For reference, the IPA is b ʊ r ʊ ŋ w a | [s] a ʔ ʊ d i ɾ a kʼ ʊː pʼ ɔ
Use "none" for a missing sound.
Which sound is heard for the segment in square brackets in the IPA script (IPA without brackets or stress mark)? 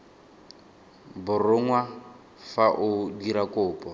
f